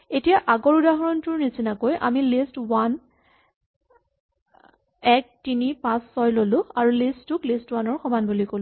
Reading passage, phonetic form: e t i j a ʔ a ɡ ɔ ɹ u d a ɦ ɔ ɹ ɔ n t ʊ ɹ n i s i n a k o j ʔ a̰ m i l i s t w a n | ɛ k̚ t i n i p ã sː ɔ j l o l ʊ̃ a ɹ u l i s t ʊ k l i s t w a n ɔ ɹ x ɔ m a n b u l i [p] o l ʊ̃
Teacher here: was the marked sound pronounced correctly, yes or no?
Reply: no